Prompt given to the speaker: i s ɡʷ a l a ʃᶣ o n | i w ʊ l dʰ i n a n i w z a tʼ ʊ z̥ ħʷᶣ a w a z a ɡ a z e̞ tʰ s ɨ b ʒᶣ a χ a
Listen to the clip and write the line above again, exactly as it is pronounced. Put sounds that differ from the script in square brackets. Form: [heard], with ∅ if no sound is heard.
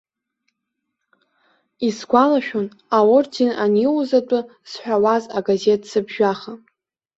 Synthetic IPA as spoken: i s ɡʷ a l a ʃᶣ o n | [a] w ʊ [r] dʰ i n a n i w z a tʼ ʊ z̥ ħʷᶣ a w a z a ɡ a z e̞ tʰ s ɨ b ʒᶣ a χ a